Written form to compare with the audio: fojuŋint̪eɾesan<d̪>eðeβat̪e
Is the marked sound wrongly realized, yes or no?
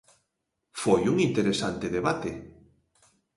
yes